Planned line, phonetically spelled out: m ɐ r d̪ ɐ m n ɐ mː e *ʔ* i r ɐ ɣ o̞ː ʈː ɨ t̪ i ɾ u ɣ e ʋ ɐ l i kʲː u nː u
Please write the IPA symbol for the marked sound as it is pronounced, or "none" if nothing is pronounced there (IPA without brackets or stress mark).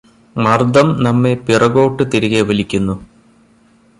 p